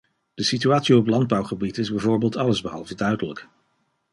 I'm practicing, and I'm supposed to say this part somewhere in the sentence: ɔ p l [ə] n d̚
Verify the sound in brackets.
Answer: incorrect: ɑ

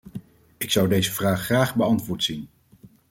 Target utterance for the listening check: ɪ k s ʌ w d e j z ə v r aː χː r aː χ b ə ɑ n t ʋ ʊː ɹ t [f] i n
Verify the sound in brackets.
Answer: incorrect: s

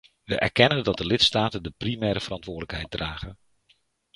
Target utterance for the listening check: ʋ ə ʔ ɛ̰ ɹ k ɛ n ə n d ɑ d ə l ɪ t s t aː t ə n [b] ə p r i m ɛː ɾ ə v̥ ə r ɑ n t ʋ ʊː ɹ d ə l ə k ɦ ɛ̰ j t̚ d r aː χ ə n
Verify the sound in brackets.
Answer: incorrect: d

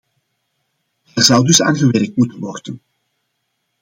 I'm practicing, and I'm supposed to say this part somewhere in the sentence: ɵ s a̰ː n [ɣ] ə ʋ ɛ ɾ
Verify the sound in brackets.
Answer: correct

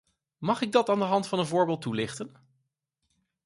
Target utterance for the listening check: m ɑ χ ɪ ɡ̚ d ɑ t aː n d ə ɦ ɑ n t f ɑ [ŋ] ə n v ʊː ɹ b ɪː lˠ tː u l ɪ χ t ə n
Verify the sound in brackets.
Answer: incorrect: n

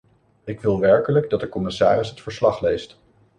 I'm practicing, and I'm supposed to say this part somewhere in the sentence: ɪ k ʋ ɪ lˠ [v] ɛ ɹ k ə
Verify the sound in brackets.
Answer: incorrect: ʋ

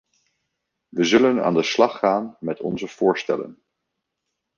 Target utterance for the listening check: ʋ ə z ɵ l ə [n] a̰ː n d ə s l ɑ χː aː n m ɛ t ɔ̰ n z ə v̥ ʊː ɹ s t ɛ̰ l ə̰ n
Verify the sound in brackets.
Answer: correct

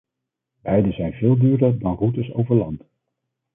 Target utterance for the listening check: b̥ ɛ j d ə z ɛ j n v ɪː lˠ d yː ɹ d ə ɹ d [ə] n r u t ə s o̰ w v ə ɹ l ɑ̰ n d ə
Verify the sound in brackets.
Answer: incorrect: ɑ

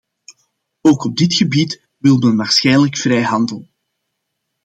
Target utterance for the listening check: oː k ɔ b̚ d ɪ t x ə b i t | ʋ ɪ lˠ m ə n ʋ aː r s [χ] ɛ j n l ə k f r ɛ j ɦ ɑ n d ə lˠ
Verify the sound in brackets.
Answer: incorrect: x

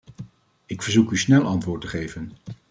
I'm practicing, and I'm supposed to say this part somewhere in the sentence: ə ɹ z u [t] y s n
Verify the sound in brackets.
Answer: incorrect: k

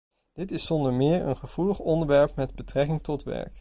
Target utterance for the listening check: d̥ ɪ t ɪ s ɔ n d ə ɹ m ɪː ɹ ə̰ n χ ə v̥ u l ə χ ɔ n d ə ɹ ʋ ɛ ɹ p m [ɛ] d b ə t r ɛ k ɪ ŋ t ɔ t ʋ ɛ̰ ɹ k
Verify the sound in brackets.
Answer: correct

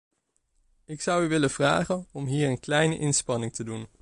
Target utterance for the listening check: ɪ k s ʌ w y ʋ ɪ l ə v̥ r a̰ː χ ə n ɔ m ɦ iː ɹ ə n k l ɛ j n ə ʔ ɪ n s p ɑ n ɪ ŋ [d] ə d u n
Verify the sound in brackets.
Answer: incorrect: t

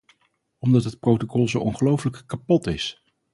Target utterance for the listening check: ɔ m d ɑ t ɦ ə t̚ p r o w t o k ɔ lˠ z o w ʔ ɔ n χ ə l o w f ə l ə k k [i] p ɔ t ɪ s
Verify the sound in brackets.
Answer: incorrect: a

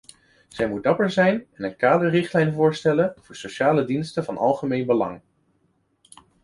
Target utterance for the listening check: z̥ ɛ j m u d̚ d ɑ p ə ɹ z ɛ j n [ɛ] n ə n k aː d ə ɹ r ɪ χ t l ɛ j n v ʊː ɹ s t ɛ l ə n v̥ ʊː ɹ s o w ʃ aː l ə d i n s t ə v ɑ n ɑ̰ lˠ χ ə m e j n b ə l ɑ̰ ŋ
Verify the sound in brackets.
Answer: correct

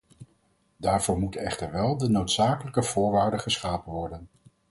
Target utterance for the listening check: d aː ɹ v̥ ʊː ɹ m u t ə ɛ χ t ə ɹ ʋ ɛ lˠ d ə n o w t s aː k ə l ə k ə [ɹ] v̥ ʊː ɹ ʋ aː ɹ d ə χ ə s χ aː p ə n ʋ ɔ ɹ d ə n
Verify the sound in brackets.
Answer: incorrect: none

